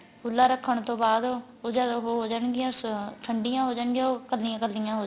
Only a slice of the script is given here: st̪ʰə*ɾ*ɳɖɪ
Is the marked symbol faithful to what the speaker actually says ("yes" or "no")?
no